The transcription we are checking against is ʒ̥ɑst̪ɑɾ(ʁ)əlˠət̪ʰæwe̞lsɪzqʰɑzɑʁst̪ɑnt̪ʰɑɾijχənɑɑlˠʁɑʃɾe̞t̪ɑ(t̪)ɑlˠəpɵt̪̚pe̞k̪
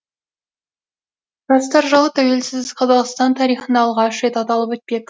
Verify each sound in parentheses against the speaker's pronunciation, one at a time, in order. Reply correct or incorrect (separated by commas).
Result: incorrect, correct